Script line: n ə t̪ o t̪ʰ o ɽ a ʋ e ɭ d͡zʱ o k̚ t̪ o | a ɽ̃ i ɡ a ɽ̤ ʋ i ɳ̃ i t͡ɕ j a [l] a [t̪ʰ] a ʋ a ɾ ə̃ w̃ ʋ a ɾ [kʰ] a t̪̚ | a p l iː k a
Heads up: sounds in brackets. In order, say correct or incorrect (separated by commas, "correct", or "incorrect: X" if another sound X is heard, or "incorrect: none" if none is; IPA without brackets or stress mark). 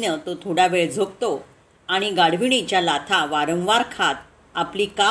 correct, correct, correct